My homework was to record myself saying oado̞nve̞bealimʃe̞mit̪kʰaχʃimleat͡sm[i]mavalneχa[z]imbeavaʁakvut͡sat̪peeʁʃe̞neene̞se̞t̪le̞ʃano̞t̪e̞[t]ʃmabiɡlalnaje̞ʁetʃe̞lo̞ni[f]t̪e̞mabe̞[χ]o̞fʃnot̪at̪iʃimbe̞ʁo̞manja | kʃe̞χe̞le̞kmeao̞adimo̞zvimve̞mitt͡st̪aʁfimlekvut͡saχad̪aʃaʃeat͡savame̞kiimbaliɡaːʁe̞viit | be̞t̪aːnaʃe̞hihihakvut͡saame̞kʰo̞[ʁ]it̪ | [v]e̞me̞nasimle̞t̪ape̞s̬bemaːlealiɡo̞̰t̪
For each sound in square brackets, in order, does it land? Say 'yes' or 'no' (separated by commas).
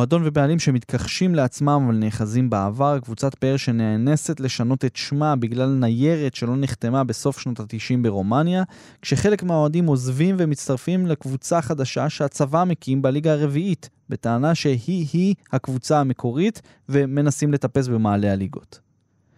no, yes, yes, no, no, yes, yes